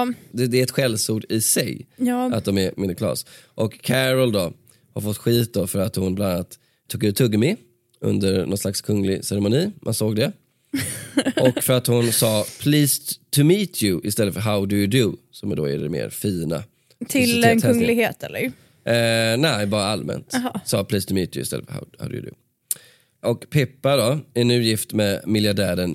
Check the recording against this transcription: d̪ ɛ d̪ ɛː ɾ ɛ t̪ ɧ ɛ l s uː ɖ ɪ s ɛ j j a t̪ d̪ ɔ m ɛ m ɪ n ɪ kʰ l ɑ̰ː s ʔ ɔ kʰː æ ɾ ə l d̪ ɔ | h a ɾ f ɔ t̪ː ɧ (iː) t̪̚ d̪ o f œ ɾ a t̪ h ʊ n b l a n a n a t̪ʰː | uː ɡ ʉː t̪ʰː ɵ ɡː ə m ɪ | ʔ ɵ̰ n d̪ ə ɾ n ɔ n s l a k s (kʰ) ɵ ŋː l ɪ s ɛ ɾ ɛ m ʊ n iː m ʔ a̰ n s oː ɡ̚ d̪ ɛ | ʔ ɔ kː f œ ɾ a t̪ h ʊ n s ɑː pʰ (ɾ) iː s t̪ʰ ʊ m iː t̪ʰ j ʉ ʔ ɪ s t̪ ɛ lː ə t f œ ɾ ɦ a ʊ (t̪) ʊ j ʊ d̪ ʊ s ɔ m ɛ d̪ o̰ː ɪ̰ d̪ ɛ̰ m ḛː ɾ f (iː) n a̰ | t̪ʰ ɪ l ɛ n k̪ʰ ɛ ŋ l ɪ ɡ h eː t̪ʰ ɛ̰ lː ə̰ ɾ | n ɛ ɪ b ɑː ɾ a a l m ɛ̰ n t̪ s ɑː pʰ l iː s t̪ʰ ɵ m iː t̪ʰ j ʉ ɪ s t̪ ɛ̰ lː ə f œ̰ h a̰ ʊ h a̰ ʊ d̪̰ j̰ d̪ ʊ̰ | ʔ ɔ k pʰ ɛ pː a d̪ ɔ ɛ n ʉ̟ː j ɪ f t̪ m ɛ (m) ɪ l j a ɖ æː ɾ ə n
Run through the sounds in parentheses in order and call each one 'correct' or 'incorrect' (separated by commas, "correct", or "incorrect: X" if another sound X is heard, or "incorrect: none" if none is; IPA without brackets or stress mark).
correct, correct, incorrect: l, incorrect: d̪, correct, correct